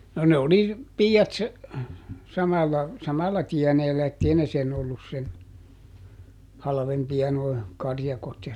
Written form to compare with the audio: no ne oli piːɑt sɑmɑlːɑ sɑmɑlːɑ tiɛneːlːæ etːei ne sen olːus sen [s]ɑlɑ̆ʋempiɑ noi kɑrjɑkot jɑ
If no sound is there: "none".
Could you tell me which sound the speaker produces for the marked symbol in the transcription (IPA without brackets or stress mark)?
h